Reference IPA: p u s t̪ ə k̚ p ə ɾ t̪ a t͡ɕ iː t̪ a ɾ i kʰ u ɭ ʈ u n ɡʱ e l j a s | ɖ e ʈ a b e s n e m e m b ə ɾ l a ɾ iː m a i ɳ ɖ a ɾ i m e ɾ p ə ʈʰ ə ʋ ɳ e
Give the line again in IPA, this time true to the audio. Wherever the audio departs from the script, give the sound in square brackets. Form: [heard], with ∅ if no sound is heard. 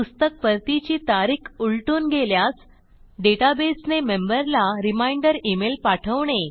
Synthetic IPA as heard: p u s t̪ ə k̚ p ə ɾ t̪ [i] t͡ɕ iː t̪ a ɾ i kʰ u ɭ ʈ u n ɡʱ e l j a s | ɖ e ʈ a b e s n e m e m b ə ɾ l a ɾ [i] m a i ɳ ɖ [ə] ɾ i m e [l] p [a] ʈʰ ə ʋ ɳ e